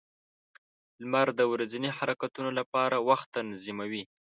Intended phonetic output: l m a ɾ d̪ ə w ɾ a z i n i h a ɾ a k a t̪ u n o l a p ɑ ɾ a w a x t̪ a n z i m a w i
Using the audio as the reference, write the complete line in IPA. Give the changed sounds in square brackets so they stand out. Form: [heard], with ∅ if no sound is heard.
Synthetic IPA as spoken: l m a ɾ d̪ ə w ɾ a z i n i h a ɾ a k a t̪ u n o l a p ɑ ɾ a w a x t̪ a n z i m a w i